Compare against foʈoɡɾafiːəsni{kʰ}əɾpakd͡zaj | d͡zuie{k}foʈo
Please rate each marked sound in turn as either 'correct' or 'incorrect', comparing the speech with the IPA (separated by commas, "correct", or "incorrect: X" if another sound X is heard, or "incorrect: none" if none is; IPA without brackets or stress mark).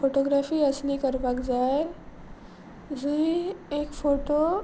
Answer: incorrect: k, correct